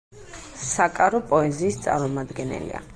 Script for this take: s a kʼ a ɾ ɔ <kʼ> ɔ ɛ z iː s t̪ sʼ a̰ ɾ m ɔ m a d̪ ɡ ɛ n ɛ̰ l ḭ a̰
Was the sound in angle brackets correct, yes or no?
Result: no